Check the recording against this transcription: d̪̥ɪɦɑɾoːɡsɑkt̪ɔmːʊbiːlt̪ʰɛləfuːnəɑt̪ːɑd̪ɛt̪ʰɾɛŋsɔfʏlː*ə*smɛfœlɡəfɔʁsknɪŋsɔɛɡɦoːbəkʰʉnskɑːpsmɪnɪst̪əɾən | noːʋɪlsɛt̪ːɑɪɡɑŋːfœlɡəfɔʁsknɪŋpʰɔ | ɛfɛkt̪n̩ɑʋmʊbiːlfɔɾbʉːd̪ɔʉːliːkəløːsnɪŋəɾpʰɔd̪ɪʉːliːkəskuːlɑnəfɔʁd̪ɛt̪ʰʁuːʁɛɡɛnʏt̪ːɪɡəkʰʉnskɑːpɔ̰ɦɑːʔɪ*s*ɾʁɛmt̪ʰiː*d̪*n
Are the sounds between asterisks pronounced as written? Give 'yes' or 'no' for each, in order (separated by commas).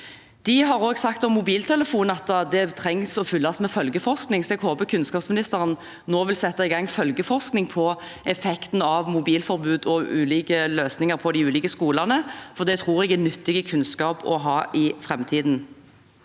no, no, yes